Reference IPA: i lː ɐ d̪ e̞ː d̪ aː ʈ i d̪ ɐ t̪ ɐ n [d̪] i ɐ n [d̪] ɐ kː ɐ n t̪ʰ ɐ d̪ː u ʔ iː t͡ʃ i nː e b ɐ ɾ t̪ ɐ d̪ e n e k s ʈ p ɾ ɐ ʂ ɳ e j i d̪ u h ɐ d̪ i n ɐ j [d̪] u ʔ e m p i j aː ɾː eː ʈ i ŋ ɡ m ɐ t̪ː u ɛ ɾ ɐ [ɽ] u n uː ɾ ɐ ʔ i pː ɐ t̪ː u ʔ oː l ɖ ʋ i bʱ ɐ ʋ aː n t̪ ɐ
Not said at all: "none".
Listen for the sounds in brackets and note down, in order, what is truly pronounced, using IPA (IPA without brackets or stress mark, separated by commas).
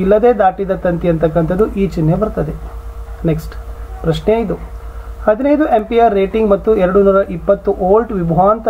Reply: t̪, t̪, d̪, ɽ